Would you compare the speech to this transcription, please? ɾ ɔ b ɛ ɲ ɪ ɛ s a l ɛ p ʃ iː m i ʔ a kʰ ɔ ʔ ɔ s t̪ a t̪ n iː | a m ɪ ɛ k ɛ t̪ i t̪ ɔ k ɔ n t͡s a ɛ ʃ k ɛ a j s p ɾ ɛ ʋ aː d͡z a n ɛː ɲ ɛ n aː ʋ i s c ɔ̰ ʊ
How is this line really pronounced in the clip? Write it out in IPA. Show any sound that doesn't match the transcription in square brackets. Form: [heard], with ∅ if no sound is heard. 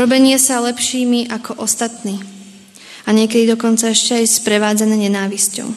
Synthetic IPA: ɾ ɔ b ɛ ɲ ɪ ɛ s a l ɛ p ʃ iː m i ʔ a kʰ ɔ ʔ ɔ s t̪ a t̪ n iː | a [ɲ] ɪ ɛ k ɛ [d̪] i [d̪] ɔ k ɔ n t͡s a ɛ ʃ [c] ɛ a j s p ɾ ɛ ʋ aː d͡z a n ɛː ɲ ɛ n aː ʋ i s c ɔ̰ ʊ